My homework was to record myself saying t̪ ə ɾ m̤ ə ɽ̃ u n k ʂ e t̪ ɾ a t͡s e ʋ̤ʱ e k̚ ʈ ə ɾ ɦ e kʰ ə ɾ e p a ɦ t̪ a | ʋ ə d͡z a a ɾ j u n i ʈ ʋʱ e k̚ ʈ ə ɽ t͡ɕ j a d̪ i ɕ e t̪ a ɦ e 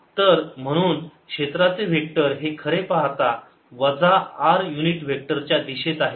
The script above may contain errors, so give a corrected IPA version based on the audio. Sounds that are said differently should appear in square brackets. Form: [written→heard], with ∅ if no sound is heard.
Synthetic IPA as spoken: t̪ ə ɾ m̤ ə ɽ̃ [u→uː] n k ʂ e t̪ ɾ a t͡s e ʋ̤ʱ e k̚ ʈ ə ɾ ɦ e kʰ ə ɾ e p a ɦ t̪ a | ʋ ə d͡z a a ɾ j u n i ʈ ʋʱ e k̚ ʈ ə [ɽ→ɾ] t͡ɕ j a d̪ i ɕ e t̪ a ɦ e